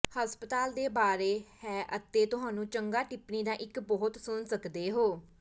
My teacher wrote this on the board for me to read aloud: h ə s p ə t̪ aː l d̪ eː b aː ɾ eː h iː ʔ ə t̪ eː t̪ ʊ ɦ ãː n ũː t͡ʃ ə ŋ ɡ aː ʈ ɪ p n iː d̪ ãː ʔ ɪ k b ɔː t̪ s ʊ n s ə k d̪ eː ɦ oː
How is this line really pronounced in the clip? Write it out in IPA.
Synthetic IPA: h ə s p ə t̪ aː l d̪ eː b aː ɾ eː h ɛː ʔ ə t̪ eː t̪ ʊ ɦ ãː n ũː t͡ʃ ə ŋ ɡ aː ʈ ɪ p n iː d̪ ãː ʔ ɪ k b ɔː t̪ s ʊ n s ə k d̪ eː ɦ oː